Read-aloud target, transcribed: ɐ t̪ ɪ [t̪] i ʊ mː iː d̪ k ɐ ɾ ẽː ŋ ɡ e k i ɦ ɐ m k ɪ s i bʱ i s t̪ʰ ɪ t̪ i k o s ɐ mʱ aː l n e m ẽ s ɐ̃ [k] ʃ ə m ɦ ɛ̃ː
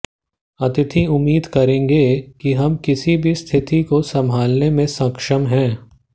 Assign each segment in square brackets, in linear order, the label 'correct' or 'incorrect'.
incorrect: t̪ʰ, correct

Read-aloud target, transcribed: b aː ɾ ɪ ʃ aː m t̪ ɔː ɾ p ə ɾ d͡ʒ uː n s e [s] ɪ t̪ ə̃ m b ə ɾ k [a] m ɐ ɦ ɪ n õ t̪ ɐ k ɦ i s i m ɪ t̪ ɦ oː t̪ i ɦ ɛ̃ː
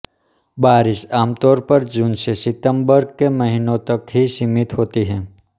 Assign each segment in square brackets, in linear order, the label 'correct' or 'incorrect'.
correct, incorrect: e

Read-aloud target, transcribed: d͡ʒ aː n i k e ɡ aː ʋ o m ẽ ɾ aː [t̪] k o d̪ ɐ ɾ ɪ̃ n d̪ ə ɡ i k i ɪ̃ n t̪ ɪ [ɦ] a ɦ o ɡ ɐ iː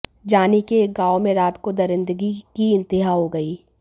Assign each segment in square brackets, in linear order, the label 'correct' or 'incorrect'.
correct, correct

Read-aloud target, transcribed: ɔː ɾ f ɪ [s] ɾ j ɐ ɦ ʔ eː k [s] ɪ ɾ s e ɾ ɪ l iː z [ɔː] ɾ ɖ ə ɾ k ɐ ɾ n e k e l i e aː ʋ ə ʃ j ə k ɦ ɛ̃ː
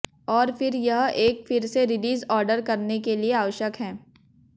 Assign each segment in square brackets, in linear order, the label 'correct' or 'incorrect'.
incorrect: none, incorrect: f, correct

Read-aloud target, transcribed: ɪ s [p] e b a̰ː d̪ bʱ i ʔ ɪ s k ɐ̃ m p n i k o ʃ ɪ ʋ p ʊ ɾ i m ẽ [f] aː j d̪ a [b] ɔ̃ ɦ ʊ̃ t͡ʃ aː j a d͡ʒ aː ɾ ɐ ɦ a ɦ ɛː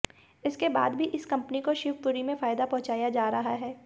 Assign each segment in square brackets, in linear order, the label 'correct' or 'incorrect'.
incorrect: k, correct, incorrect: p

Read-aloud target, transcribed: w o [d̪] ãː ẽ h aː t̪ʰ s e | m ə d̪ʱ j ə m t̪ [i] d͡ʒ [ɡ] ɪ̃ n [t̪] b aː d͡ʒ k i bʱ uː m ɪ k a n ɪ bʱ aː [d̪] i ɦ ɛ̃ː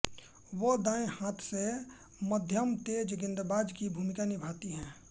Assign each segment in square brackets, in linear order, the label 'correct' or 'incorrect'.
correct, incorrect: e, correct, incorrect: d̪, incorrect: t̪

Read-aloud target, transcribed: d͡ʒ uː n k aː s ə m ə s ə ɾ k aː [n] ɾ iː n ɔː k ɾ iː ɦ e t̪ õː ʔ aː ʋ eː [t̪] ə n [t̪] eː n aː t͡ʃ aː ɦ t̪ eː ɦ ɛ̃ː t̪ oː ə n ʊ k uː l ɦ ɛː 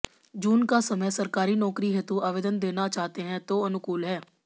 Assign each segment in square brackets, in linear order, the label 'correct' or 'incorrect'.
incorrect: none, incorrect: d̪, incorrect: d̪

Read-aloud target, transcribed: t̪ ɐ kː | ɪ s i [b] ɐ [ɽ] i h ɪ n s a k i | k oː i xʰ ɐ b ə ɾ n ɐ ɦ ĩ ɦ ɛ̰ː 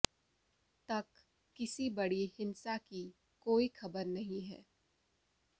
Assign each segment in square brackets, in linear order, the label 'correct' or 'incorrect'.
correct, correct

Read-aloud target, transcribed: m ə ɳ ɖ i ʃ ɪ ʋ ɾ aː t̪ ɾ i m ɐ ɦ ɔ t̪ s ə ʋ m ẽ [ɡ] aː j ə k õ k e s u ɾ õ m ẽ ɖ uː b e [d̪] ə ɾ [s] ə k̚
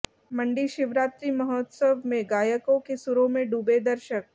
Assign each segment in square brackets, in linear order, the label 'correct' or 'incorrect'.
correct, correct, incorrect: ʃ

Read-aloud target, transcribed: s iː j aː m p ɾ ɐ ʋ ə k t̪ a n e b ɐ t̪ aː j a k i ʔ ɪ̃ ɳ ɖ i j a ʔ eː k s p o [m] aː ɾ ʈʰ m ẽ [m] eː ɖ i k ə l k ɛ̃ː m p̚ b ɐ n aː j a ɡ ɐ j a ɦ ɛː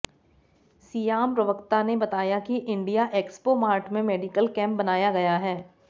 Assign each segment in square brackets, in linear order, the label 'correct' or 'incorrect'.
correct, correct

